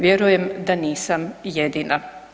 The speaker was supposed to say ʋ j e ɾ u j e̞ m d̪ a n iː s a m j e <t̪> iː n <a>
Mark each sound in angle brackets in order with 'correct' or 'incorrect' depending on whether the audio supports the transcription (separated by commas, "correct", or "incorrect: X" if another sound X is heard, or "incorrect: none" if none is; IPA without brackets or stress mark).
incorrect: d̪, correct